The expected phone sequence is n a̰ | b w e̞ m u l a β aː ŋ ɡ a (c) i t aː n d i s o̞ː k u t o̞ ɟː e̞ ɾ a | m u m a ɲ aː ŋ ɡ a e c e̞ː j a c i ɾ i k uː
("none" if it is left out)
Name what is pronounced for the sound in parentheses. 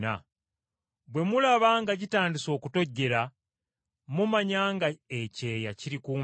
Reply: ɟ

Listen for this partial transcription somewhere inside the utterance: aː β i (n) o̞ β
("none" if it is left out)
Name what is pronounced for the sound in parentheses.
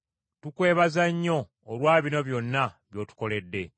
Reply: n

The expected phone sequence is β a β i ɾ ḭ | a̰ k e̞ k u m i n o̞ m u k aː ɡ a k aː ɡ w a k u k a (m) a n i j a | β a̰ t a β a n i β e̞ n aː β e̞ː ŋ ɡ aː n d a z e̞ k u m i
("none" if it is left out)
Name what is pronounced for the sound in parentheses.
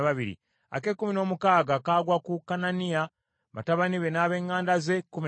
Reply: n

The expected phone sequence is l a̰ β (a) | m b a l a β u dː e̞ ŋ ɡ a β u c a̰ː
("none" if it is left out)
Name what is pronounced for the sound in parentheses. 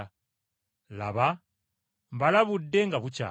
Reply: a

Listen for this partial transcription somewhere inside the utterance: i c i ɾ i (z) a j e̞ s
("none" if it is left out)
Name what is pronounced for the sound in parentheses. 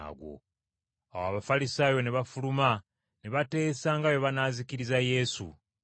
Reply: z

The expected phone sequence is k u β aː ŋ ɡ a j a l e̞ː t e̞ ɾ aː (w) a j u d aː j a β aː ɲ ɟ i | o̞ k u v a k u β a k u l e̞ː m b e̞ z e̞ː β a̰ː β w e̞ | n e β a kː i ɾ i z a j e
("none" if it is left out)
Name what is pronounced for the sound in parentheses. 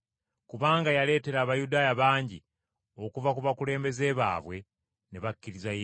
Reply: β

